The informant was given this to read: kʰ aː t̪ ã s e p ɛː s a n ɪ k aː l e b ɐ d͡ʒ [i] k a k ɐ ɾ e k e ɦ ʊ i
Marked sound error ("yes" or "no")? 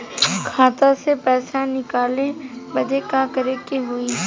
yes